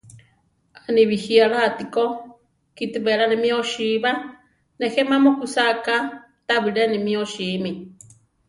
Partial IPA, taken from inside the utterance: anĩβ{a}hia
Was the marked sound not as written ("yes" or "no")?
yes